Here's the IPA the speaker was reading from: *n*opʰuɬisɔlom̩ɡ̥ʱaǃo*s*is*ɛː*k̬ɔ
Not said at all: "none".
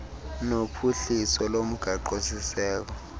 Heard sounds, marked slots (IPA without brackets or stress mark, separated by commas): n, s, ɛː